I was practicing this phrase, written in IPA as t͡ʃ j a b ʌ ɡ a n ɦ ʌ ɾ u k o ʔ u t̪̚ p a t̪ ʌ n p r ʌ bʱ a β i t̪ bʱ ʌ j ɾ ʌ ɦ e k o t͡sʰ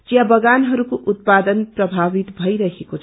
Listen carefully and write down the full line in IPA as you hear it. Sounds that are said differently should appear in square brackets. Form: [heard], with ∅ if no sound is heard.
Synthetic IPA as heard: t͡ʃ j a b ʌ ɡ a n ɦ ʌ ɾ u k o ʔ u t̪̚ p a [d̪] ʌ n p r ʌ bʱ a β i t̪ bʱ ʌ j ɾ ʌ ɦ e k o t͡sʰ

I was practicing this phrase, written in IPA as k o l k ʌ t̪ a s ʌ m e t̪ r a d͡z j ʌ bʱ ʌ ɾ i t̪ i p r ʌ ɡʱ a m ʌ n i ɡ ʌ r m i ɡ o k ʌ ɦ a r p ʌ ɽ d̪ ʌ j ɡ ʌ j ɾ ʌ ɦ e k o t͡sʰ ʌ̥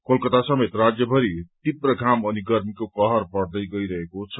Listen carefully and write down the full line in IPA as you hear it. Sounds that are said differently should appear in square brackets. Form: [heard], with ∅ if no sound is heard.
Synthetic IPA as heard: k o l k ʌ t̪ a s ʌ m e t̪ r a d͡z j ʌ bʱ ʌ ɾ i t̪ i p r ʌ ɡʱ a m ʌ n i ɡ ʌ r m i [k] o k ʌ ɦ [ʌ] r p ʌ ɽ d̪ ʌ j ɡ ʌ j ɾ ʌ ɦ e k o t͡sʰ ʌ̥

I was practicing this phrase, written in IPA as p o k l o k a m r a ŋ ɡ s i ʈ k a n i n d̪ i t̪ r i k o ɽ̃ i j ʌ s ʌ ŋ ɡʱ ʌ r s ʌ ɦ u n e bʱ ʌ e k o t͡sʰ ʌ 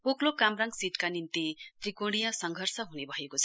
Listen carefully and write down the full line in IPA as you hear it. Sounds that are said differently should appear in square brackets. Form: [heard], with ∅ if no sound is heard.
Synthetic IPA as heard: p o k l o k a m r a ŋ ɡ s i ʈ k a n i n [t̪] i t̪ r i k o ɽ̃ i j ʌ s ʌ ŋ ɡʱ ʌ r s ʌ ɦ u n e bʱ ʌ e k o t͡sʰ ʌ

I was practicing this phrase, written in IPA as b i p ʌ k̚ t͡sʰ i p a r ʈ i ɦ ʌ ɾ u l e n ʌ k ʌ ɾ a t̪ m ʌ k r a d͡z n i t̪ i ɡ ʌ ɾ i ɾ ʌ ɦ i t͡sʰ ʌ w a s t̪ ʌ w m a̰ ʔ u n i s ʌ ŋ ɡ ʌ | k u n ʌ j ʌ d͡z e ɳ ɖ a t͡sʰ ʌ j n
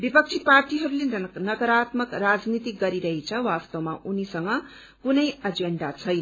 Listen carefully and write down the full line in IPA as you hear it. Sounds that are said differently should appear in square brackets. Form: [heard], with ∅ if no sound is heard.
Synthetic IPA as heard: b i p ʌ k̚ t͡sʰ i p a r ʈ i ɦ ʌ ɾ u l e n ʌ k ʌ ɾ a t̪ m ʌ k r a d͡z n i t̪ i ɡ ʌ ɾ i ɾ ʌ ɦ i t͡sʰ ʌ w a s t̪ ʌ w m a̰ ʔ u n i s ʌ ŋ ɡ ʌ | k u n ʌ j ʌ d͡z e ɳ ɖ a t͡sʰ ʌ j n

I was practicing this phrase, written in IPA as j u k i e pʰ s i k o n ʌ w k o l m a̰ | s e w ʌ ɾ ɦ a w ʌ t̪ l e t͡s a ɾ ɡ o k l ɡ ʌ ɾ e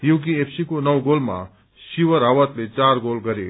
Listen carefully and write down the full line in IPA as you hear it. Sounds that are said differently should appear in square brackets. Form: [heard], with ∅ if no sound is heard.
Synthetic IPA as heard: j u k i e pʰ s i k o n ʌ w [ɡ] o l m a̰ | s [i] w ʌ ɾ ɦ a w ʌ t̪ l e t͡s a ɾ ɡ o [∅] l ɡ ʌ ɾ e

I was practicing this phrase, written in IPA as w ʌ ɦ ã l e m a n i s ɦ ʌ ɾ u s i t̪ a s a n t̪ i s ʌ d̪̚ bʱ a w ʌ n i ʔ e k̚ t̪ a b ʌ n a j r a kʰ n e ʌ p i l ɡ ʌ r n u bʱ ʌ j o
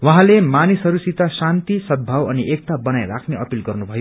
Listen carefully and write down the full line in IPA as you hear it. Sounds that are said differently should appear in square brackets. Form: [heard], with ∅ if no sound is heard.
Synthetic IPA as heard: w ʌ ɦ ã l e m a n i s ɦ ʌ ɾ u s i t̪ a s a n t̪ i s ʌ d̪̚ bʱ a w ʌ n i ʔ e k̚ t̪ a b ʌ n a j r a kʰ n e ʌ p i l ɡ ʌ r n u bʱ ʌ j o

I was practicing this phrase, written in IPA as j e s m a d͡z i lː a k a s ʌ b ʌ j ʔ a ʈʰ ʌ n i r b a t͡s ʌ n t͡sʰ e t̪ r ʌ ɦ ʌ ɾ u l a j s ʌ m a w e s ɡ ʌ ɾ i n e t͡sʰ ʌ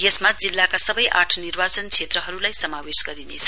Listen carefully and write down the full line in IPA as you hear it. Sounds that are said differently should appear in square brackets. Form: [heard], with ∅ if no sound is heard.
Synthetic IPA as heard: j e s m a d͡z i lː a k a s ʌ b ʌ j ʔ a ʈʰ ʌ n i r b a t͡s ʌ n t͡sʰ e t̪ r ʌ ɦ ʌ ɾ u l a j s ʌ m a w e s ɡ ʌ ɾ i n e t͡sʰ ʌ

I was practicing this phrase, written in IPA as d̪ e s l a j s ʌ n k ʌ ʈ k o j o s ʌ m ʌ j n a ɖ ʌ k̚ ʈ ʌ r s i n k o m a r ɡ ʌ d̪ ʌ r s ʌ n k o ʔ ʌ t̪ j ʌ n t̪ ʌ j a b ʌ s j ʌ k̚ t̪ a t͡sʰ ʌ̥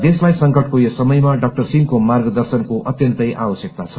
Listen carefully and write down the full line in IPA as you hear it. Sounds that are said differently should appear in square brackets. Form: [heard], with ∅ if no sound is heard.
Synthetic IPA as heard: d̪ e s l a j s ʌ [ŋ] k ʌ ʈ k o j o s ʌ m ʌ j [m] a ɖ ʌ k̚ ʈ ʌ r s i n k o m a r ɡ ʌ d̪ ʌ r s ʌ n k o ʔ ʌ t̪ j ʌ n t̪ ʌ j a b ʌ s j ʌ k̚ t̪ a t͡sʰ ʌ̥

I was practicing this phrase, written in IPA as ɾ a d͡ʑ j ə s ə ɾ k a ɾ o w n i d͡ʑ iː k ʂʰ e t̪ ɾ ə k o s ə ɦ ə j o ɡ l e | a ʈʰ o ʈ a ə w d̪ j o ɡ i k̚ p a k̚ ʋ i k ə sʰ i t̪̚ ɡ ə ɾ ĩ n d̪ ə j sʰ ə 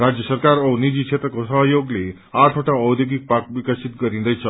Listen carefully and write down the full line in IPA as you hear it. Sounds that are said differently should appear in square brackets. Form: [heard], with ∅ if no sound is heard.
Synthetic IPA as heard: ɾ a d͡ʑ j ə s ə ɾ k a ɾ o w n i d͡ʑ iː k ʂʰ e t̪ ɾ ə k o s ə ɦ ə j o ɡ l e | a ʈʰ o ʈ a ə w d̪ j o ɡ i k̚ p a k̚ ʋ i k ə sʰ i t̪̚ ɡ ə ɾ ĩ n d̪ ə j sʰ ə

